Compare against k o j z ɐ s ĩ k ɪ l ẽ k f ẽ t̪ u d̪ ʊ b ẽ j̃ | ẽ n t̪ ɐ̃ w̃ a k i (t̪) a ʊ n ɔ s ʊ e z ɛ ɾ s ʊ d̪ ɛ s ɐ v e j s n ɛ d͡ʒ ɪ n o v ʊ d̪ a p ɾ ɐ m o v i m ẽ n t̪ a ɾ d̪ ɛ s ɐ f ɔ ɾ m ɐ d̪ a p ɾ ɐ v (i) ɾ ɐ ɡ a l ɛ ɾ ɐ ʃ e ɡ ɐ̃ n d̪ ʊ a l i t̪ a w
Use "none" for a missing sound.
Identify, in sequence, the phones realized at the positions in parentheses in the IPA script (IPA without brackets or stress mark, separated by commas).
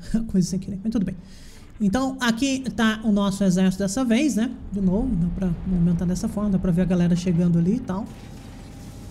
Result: t̪, e